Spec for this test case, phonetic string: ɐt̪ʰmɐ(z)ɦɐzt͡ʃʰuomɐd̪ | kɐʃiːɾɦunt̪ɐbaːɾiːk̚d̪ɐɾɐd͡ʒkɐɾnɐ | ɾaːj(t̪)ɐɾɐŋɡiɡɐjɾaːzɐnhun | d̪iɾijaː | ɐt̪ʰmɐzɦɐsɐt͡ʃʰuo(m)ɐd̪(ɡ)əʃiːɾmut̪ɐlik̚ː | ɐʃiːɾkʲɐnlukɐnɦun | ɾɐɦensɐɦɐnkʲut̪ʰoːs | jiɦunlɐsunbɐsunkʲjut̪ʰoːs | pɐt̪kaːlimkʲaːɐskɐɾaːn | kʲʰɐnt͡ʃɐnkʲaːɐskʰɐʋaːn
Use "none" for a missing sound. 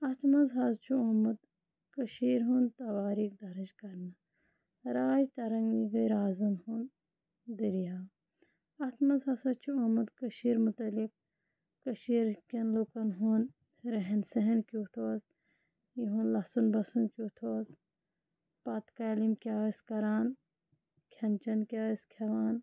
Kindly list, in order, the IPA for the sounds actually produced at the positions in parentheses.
z, t̪, m, k

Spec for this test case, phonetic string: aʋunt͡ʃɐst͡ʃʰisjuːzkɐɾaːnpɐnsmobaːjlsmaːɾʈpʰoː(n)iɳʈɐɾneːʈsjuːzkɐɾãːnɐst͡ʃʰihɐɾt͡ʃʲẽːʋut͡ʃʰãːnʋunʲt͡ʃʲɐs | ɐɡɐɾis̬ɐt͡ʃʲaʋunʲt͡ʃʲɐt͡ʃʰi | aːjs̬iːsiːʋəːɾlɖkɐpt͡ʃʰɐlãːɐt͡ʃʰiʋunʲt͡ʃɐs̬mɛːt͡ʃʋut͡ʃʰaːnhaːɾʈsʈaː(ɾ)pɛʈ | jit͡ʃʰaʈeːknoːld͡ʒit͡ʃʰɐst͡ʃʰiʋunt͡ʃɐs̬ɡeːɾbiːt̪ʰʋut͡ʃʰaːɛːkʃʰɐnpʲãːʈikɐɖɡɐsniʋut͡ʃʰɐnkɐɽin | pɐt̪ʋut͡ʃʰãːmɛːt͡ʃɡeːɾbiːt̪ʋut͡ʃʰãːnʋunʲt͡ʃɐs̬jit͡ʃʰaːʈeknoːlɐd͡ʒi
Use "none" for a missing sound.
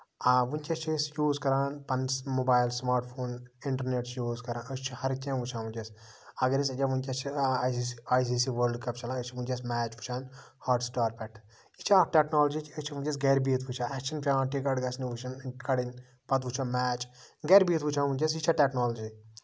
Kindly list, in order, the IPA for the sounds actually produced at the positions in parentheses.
n, ɾ

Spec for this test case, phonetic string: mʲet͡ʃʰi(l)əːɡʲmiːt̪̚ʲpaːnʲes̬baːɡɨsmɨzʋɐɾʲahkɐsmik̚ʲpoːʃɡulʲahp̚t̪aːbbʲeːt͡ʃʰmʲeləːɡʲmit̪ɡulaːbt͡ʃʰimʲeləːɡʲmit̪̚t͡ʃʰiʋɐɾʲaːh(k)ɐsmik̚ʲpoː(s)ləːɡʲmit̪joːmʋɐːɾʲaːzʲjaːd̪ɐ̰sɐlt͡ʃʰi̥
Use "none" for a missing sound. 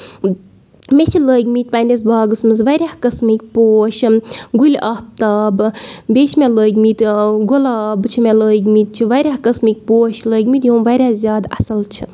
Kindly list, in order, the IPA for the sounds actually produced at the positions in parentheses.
l, k, ʃ

